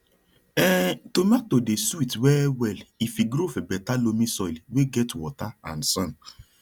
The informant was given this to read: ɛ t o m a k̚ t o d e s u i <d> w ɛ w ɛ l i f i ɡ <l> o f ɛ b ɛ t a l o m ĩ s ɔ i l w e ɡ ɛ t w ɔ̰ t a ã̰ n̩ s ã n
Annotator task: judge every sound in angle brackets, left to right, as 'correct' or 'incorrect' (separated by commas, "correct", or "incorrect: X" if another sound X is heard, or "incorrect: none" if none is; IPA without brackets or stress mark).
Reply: incorrect: t, incorrect: ɾ